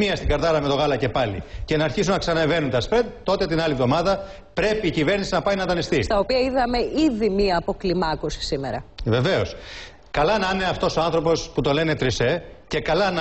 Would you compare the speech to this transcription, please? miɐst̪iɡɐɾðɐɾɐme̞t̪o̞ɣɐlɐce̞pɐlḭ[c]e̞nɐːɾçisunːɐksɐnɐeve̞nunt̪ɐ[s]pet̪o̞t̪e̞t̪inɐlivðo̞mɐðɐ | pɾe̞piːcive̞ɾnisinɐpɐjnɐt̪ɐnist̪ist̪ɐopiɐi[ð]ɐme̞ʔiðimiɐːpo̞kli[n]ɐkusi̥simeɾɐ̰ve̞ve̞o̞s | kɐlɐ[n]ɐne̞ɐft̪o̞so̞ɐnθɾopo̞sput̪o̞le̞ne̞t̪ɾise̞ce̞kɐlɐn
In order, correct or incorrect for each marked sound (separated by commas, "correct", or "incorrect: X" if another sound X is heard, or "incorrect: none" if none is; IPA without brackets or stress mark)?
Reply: correct, correct, correct, incorrect: m, correct